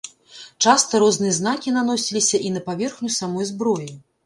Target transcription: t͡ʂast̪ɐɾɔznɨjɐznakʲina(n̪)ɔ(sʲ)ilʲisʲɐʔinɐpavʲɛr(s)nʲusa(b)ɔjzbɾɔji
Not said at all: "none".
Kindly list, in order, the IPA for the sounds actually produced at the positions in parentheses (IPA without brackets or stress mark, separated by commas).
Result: n̪, sʲ, x, m